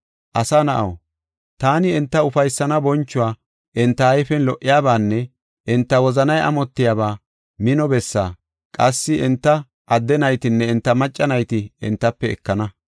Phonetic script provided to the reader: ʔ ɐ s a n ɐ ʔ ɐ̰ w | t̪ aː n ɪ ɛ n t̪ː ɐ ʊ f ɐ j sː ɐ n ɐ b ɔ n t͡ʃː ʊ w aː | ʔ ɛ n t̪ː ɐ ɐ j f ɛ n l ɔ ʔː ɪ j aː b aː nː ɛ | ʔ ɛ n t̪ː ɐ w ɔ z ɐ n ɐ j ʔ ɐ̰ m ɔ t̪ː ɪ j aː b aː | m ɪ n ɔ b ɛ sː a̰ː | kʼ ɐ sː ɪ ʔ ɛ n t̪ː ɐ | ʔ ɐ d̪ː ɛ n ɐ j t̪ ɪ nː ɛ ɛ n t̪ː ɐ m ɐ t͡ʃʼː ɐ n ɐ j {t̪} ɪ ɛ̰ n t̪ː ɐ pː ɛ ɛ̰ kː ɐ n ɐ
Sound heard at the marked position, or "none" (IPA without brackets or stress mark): t̪